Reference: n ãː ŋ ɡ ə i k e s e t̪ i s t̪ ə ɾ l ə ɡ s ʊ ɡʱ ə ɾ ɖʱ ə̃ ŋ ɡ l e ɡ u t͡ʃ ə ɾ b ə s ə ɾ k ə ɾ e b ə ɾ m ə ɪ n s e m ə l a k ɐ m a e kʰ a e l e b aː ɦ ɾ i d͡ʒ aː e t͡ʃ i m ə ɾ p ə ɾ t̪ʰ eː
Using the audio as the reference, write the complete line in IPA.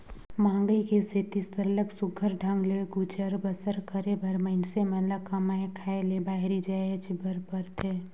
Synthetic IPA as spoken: m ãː ŋ ɡ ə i k e s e t̪ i s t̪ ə ɾ l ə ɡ s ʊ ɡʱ ə ɾ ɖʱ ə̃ ŋ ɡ l e ɡ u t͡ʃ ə ɾ b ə s ə ɾ k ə ɾ e b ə ɾ m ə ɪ n s e m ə l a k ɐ m a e kʰ a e l e b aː ɦ ɾ i d͡ʒ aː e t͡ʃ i b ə ɾ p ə ɾ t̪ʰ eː